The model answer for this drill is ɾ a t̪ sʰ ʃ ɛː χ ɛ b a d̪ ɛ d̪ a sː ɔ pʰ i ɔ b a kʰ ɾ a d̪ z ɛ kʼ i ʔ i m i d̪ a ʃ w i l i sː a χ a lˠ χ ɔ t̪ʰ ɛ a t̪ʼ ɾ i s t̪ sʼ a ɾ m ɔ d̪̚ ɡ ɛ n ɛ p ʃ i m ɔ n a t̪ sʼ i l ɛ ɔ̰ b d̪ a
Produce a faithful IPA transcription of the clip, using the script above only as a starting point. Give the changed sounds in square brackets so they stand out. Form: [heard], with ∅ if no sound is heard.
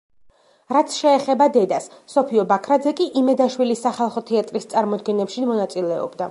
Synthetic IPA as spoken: ɾ a t̪ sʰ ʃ ɛː χ ɛ b a d̪ ɛ d̪ a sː ɔ pʰ i ɔ b a kʰ ɾ a d̪ z ɛ kʼ i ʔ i m [ɛ] d̪ a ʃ w i l i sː a χ a lˠ χ ɔ t̪ʰ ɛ a t̪ʼ ɾ i s t̪ sʼ a ɾ m ɔ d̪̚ ɡ ɛ n ɛ p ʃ i m ɔ n a t̪ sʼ i l ɛ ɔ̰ b d̪ a